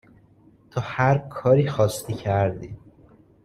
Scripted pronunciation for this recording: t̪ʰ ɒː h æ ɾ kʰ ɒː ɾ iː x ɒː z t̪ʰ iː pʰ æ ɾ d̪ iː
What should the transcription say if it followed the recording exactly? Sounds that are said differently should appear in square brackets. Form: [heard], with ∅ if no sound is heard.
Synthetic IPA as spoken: t̪ʰ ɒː h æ ɾ kʰ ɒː ɾ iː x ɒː [s] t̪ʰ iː [cʰ] æ ɾ d̪ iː